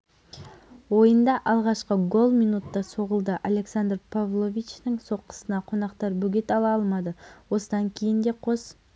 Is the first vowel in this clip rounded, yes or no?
yes